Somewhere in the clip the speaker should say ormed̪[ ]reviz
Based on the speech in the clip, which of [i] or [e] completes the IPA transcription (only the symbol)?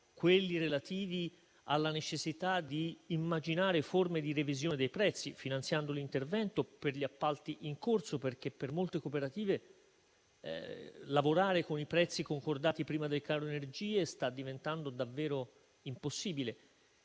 i